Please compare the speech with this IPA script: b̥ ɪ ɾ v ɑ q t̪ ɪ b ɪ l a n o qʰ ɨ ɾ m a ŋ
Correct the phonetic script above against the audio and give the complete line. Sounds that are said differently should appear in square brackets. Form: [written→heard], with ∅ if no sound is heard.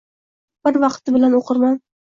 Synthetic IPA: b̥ ɪ ɾ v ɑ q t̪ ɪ b ɪ l a n o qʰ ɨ ɾ m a [ŋ→n]